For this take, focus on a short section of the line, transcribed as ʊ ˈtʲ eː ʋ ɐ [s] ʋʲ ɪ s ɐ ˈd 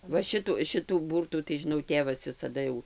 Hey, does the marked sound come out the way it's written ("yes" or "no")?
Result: yes